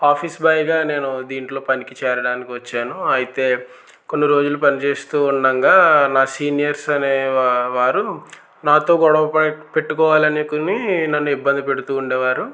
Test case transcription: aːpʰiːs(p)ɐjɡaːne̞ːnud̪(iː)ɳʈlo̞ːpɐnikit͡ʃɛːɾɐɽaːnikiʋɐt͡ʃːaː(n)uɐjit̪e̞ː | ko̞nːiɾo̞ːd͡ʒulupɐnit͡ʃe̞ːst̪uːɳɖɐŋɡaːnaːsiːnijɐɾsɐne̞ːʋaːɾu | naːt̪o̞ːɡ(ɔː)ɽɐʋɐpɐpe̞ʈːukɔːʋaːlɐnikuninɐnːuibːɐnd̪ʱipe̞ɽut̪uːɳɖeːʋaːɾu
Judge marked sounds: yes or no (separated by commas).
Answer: no, yes, yes, no